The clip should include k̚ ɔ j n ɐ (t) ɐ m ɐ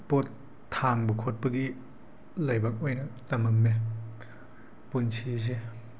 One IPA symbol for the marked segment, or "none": t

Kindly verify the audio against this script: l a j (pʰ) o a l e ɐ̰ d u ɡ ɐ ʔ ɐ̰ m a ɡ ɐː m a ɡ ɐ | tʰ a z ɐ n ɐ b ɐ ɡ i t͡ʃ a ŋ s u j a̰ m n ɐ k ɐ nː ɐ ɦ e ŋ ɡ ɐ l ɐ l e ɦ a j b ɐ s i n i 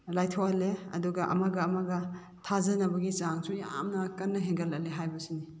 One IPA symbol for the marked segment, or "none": tʰ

